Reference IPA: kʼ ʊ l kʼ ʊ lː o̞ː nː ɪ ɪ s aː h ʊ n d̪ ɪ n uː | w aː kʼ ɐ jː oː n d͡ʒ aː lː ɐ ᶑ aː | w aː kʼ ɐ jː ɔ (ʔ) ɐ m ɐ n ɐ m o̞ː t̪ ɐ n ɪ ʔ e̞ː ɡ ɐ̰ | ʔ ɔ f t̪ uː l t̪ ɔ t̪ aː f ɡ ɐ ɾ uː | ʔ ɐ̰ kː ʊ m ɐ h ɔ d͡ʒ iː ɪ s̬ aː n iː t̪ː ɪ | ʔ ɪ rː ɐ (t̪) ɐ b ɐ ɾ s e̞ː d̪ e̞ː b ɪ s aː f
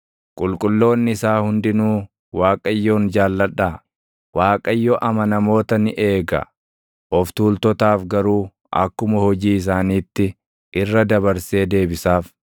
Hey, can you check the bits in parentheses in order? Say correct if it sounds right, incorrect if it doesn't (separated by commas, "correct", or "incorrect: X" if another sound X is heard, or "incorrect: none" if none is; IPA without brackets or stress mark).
correct, incorrect: d̪